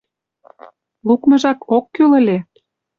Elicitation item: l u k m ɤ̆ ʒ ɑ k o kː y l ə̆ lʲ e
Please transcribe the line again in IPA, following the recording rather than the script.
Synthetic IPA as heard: l u k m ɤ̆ ʒ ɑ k o kː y l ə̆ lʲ e